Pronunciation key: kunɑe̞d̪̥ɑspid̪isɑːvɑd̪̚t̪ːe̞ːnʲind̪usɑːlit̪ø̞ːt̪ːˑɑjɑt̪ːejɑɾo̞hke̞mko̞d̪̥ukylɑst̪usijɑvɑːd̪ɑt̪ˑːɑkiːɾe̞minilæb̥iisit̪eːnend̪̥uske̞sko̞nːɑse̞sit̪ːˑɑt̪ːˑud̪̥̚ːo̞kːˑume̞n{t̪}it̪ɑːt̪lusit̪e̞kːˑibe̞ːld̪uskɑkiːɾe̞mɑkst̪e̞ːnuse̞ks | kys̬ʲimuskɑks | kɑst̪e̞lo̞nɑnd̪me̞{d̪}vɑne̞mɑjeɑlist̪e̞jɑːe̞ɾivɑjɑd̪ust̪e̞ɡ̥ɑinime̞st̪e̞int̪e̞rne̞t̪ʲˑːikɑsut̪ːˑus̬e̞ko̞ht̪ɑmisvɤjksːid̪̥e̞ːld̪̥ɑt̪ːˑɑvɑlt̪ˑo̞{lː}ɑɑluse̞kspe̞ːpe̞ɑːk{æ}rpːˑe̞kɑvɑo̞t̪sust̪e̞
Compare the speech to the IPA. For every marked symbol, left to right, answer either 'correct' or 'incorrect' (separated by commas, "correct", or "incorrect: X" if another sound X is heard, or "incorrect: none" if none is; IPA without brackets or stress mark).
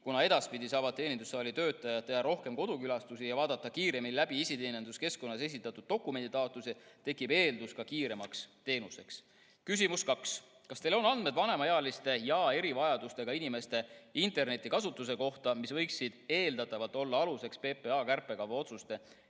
incorrect: d̪, correct, correct, correct